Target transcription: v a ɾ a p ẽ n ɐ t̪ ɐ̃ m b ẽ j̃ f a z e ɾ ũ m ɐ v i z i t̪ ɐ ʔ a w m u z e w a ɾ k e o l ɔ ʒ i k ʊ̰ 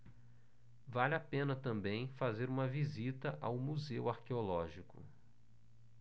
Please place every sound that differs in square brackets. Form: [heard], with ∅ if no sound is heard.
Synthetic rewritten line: v a [l] a p ẽ n ɐ t̪ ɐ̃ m b ẽ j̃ f a z e ɾ ũ m ɐ v i z i t̪ ɐ ʔ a w m u z e w a ɾ k e o l ɔ ʒ i k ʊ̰